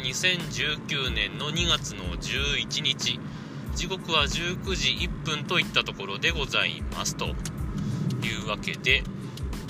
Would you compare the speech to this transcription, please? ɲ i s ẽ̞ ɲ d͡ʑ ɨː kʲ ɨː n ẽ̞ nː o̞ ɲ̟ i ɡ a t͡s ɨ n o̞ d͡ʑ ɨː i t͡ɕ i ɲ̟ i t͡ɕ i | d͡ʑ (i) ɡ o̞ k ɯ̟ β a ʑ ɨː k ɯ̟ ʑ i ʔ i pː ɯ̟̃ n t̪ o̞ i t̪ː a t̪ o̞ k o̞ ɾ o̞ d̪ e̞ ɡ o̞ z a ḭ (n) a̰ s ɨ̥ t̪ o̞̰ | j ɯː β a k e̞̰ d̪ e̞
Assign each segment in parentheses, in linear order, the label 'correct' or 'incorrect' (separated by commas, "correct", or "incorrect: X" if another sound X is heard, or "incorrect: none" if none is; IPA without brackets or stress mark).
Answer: correct, incorrect: m